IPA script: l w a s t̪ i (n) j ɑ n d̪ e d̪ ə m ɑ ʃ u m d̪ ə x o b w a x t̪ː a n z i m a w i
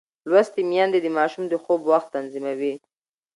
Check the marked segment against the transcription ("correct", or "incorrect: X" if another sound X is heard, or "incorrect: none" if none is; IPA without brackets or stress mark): incorrect: m